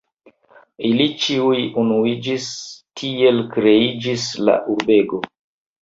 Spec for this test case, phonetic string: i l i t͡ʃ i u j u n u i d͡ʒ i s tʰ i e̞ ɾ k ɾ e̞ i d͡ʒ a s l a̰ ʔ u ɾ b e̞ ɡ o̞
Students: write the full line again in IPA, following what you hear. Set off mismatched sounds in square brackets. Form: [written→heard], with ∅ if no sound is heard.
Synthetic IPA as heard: i l i t͡ʃ i u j u n u i d͡ʒ i s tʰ i e̞ [ɾ→l] k ɾ e̞ i d͡ʒ [a→i] s l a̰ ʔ u ɾ b e̞ ɡ o̞